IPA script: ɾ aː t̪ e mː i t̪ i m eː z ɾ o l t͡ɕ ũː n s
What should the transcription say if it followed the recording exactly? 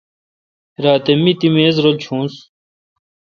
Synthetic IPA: ɾ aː t̪ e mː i t̪ i m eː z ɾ o l t͡ɕʰ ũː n s